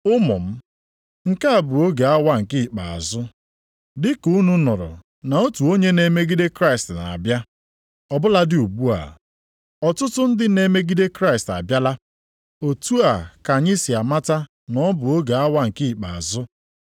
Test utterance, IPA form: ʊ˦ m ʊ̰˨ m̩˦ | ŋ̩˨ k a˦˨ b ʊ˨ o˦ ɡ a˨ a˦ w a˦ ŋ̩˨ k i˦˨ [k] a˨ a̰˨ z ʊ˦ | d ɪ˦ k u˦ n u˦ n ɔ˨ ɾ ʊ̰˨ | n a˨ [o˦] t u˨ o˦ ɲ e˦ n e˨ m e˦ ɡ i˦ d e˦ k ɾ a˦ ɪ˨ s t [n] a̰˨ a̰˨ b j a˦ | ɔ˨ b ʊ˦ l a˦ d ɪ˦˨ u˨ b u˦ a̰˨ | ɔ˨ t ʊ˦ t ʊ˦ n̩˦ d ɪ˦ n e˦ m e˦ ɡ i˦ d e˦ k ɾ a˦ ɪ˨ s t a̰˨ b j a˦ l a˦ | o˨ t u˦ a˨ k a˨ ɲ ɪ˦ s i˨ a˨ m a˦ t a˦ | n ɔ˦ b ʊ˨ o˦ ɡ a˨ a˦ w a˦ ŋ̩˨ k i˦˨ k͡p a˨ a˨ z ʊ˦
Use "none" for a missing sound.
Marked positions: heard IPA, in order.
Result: k͡p, o˦, n

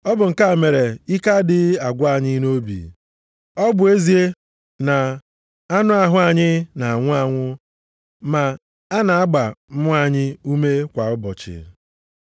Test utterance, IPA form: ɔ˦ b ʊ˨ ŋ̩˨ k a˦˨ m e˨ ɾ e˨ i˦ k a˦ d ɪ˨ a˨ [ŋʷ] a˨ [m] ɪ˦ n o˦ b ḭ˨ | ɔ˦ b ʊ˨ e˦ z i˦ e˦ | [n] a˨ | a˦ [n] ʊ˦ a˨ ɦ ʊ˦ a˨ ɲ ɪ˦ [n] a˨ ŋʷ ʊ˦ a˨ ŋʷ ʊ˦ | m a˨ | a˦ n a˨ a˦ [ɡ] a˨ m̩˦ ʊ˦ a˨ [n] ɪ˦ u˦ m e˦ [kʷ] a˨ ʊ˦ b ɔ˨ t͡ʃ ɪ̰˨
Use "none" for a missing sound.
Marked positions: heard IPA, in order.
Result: ɡʷ, ɲ, n, n, n, ɡ͡b, ɲ, kʷ

